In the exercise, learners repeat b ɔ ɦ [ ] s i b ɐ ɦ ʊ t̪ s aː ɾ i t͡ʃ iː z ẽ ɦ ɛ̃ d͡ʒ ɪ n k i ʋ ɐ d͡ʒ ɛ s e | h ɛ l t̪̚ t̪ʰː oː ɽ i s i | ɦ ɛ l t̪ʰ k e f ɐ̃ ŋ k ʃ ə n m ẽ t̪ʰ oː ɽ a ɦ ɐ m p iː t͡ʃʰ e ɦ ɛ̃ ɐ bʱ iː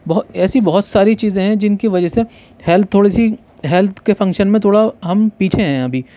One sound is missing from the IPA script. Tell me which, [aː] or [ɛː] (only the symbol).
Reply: ɛː